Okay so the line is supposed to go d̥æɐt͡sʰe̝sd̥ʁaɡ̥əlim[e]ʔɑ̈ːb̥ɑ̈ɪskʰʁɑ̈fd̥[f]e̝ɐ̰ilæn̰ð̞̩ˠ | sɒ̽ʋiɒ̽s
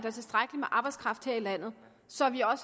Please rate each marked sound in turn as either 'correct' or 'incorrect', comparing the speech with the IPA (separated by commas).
correct, incorrect